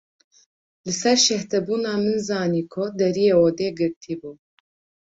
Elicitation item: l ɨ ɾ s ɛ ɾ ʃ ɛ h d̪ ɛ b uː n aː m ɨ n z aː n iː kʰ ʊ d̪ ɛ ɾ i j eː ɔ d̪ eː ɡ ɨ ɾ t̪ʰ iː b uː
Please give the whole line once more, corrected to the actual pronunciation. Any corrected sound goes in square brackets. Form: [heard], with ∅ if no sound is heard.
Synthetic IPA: l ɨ [∅] s ɛ ɾ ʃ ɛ h [t̪] ɛ b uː n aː m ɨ n z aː n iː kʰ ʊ d̪ ɛ ɾ i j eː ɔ d̪ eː ɡ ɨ ɾ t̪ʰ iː b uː

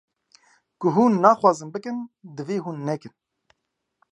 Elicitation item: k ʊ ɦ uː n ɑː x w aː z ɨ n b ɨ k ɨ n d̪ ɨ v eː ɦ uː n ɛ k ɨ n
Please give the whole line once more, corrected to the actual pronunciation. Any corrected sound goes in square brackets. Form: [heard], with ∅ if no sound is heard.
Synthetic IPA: k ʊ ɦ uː [nː] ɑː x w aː z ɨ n b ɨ k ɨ n d̪ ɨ v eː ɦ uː [nː] ɛ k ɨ n

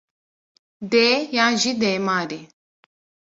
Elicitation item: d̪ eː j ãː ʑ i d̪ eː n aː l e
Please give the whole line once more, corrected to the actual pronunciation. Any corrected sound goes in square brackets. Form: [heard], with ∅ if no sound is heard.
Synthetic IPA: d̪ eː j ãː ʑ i d̪ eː [m] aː [ɾ] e

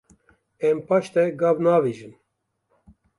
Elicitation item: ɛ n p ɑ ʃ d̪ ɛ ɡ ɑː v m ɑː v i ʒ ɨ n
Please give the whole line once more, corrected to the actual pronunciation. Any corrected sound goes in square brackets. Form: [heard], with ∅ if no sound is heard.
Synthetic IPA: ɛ [m] p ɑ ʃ [t̪] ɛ ɡ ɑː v [n] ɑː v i ʒ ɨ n

